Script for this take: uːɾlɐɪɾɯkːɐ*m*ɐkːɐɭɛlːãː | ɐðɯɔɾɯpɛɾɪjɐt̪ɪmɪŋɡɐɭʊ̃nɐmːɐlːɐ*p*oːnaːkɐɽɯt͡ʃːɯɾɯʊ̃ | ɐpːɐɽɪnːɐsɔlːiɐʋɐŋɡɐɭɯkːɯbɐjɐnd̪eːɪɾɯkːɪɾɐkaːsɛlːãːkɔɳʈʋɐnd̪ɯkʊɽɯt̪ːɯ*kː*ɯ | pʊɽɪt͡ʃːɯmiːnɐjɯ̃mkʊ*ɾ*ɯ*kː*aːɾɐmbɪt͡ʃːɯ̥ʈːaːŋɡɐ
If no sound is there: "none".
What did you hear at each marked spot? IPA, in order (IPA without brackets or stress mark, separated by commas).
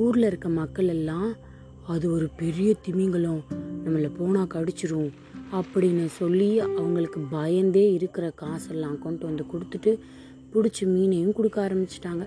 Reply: m, p, ʈː, ɽ, kː